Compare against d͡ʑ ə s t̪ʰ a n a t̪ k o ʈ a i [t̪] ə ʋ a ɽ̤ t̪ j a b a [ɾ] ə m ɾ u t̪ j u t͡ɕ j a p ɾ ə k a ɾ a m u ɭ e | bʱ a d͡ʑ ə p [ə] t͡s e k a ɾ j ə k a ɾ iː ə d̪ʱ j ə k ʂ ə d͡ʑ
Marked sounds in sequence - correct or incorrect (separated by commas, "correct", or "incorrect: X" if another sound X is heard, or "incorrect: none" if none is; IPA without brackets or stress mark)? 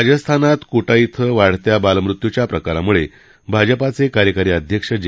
incorrect: t̪ʰ, incorrect: l, incorrect: a